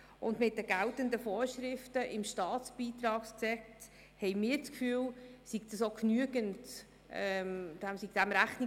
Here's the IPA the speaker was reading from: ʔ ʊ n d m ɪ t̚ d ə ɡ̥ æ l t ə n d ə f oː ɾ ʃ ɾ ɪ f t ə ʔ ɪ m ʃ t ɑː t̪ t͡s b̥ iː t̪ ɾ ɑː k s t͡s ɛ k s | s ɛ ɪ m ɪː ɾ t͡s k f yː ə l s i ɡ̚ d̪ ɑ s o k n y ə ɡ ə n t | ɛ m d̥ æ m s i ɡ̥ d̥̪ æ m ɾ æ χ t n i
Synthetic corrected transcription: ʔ ʊ n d m ɪ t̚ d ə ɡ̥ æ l t ə n d ə f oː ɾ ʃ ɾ ɪ f t ə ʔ ɪ m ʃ t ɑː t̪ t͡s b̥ iː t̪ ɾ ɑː k s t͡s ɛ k t | h ɛ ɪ m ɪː ɾ t͡s k f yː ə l s i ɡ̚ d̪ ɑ s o k n y ə ɡ ə n t | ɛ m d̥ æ m s i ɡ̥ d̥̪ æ m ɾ æ χ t n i